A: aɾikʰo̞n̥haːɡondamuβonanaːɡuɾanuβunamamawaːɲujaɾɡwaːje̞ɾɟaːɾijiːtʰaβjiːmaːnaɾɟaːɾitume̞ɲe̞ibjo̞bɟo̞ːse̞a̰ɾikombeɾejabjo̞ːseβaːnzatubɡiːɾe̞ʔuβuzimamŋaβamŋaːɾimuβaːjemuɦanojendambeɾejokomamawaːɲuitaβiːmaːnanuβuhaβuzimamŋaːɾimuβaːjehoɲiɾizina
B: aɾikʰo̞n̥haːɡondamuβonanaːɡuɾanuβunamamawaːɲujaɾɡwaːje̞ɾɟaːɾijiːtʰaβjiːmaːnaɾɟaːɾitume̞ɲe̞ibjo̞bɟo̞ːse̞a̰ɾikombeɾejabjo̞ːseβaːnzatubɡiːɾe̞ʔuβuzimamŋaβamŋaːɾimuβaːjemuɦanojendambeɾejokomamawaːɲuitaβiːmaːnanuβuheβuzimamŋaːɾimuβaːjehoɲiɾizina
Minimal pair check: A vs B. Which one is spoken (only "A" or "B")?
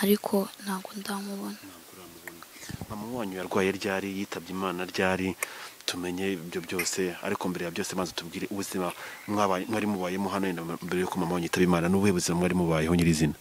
B